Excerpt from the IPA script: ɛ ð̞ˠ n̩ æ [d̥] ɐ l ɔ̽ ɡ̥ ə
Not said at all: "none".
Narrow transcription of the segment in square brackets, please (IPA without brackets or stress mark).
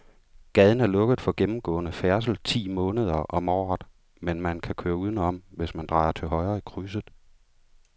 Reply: none